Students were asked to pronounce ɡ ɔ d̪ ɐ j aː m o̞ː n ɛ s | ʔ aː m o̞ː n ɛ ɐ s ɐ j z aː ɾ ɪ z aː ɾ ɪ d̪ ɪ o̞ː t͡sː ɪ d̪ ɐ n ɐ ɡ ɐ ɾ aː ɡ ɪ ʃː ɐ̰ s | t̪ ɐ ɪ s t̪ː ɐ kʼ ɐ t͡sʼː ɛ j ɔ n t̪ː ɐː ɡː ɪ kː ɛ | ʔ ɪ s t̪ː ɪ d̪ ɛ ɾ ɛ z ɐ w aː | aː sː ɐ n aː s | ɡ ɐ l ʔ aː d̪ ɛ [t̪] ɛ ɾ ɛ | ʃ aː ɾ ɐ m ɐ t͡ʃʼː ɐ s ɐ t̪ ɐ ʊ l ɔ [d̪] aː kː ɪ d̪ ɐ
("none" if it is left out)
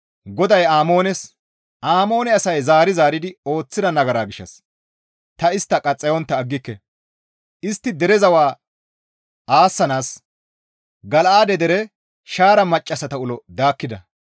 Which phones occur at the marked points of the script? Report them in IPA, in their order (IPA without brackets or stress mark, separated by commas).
d̪, d̪